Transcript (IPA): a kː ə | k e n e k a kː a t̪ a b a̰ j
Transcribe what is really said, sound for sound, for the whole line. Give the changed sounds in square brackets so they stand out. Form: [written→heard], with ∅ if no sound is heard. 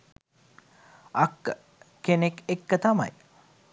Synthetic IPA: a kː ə | k e n e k [a→e] kː [a→ə] t̪ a [b→m] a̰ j